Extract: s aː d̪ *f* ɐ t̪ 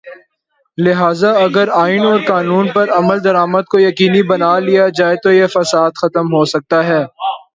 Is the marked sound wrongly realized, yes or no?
yes